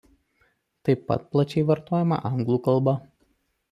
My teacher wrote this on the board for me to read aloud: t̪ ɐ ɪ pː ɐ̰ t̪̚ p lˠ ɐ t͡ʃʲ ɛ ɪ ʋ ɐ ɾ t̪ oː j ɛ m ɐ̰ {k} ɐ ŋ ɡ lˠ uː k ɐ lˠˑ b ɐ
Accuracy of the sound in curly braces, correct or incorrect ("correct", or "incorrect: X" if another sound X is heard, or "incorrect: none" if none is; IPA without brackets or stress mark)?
incorrect: ʔ